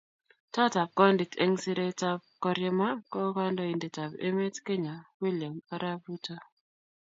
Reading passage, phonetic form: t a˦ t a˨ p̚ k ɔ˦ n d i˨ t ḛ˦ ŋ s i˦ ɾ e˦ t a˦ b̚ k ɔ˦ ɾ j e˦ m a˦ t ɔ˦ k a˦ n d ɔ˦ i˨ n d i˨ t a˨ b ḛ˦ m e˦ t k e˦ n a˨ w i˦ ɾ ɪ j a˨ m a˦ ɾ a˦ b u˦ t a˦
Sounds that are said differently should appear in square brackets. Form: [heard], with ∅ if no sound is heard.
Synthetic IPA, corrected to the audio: t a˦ t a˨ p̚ k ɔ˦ n d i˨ t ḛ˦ ŋ s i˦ ɾ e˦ t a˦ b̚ k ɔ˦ ɾ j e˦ m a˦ [k] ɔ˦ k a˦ n d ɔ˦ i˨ n d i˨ t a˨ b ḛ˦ m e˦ t k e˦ [ɲ] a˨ w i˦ [l] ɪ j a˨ m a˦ ɾ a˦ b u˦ t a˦

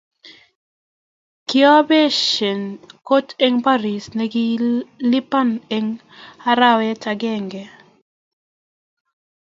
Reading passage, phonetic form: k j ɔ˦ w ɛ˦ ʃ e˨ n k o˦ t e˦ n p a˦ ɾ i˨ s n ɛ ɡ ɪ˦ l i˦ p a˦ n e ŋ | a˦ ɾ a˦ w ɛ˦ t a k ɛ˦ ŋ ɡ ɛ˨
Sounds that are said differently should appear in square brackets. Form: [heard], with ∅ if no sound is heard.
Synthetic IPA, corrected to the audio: k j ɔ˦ [b] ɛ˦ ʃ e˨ n k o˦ t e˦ [ŋ] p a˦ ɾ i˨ s n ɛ ɡ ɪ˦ l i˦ p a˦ n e ŋ | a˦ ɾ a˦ w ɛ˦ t a [ɡ] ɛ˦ ŋ ɡ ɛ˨

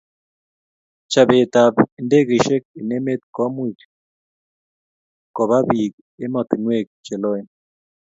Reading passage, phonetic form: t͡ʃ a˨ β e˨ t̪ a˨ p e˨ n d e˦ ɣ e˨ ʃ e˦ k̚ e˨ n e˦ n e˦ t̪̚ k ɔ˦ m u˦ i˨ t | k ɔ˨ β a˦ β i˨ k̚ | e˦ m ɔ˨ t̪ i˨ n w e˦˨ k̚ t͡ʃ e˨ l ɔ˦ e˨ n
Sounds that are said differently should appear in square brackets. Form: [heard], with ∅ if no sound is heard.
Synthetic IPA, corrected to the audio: t͡ʃ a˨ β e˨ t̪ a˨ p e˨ n d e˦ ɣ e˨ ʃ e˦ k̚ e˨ n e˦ [m] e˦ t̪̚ k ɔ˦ m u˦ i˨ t | k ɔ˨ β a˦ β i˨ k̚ | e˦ m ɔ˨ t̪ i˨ n w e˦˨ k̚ t͡ʃ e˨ l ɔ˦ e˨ n

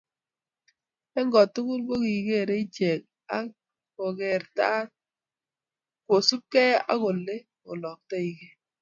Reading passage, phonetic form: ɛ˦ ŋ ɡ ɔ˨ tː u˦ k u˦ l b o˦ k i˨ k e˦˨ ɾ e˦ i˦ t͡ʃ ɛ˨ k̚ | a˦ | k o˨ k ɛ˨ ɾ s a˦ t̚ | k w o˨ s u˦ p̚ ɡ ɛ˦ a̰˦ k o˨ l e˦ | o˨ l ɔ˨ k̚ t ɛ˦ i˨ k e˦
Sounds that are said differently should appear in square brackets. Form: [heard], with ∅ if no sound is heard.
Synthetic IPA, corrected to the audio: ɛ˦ ŋ ɡ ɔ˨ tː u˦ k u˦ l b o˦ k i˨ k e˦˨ ɾ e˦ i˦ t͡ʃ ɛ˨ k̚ | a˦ | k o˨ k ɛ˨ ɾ [t] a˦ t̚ | k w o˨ s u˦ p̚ [k] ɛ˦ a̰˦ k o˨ l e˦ | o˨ l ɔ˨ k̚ t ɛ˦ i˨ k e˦

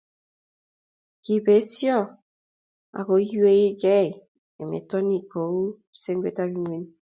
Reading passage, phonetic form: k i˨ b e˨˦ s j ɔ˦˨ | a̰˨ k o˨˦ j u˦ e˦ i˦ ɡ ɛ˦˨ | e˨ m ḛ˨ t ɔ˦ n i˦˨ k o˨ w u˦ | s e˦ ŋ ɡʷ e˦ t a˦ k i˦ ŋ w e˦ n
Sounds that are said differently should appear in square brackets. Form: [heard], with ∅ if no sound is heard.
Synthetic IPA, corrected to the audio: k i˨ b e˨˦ s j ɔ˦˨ | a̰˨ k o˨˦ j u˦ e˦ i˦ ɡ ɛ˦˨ | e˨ m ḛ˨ t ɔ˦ n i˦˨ k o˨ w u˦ | s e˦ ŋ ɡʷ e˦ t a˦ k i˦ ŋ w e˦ n

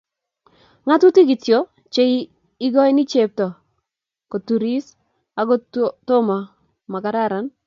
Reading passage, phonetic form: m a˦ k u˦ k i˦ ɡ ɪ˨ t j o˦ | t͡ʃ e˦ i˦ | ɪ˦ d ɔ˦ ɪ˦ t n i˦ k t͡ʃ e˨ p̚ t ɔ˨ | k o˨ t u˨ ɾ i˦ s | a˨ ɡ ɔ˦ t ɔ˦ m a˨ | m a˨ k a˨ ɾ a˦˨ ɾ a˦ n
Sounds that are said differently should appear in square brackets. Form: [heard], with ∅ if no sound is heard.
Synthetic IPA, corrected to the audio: [ŋ] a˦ [t] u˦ [t] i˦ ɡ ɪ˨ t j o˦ | t͡ʃ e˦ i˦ | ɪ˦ [ɡ] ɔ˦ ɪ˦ [∅] n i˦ [∅] t͡ʃ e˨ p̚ t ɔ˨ | k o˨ t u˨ ɾ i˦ s | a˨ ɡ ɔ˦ t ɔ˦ m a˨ | m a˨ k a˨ ɾ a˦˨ ɾ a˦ n

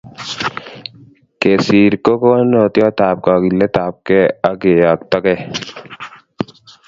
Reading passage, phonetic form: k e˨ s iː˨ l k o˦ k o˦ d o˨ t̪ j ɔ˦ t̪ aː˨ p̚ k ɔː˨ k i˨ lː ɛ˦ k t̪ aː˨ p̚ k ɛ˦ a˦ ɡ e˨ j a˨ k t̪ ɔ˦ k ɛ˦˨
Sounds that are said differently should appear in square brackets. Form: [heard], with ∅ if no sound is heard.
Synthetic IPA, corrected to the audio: k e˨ s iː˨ [ɾ] k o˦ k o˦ [n] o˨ t̪ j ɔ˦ t̪ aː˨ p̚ k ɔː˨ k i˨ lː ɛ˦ [∅] t̪ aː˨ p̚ k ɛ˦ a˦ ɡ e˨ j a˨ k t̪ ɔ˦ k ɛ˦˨

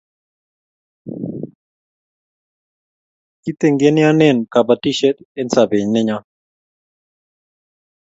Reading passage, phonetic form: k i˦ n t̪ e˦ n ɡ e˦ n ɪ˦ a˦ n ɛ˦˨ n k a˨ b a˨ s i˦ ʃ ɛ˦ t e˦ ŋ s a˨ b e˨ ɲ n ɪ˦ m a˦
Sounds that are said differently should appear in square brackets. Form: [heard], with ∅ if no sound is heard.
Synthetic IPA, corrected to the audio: k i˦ [∅] t̪ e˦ [ŋ] ɡ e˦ n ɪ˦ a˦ n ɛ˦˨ n k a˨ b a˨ [t] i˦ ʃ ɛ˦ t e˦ [n] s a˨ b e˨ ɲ n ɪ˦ [ɲ] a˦

